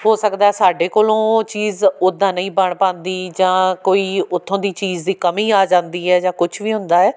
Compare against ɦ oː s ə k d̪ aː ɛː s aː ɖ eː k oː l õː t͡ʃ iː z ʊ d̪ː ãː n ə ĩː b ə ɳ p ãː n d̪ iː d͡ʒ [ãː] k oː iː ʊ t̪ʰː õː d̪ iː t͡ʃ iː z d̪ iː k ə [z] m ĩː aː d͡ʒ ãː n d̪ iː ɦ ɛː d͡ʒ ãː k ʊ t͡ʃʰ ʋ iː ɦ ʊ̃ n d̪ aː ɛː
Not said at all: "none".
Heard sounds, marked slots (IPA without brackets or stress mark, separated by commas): ãː, none